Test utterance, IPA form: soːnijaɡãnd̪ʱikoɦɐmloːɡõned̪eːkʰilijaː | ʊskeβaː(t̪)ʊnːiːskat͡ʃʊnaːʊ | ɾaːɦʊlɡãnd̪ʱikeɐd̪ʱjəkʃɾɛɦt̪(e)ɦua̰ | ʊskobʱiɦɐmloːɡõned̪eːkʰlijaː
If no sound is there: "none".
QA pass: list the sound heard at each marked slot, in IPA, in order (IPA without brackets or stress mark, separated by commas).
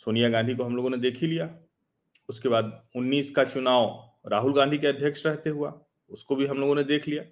d̪, e